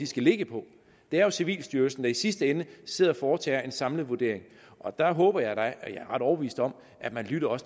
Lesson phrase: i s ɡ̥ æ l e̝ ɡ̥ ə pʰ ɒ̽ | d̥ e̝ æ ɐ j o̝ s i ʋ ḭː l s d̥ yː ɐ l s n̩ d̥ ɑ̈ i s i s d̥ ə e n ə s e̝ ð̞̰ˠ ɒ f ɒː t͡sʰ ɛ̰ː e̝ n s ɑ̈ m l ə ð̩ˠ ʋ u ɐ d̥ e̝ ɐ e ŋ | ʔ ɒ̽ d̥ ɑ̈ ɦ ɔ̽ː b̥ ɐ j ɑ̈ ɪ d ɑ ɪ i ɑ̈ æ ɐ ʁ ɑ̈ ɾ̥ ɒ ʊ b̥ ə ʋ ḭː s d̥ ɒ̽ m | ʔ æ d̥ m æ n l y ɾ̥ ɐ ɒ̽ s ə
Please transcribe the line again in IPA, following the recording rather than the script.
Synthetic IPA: i s ɡ̥ æ l e̝ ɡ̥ ə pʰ ɒ̽ | d̥ e̝ æ ɐ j o̝ s i ʋ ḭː l s d̥ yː ɐ l s n̩ d̥ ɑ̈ i s i s d̥ ə e n ə s e̝ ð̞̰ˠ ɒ f ɒː t͡sʰ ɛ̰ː e̝ n s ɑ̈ m l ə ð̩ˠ ʋ u ɐ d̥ e̝ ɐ e ŋ | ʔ ɒ̽ d̥ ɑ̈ ɦ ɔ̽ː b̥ ɐ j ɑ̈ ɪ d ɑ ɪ j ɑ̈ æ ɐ ʁ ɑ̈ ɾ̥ ɒ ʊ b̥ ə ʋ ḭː s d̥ ɒ̽ m | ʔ æ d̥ m æ n l y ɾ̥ ɐ ɒ̽ s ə